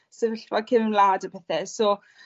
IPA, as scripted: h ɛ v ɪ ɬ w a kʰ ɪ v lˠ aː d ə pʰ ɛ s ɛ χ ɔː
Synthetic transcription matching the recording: s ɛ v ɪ ɬ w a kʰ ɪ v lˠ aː d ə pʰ ɛ θ ɛ s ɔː